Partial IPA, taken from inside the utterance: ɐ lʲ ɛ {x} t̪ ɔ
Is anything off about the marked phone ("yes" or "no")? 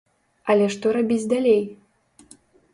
yes